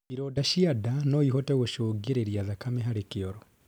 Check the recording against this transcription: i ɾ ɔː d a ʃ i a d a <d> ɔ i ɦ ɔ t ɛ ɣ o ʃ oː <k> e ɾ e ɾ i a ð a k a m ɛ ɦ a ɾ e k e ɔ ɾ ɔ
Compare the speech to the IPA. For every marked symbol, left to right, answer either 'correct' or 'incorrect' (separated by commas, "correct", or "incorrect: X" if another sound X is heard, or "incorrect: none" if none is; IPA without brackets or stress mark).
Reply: incorrect: n, incorrect: ɡ